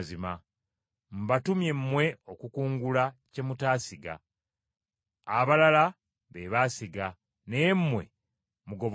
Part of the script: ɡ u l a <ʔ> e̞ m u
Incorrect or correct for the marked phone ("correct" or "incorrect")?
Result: incorrect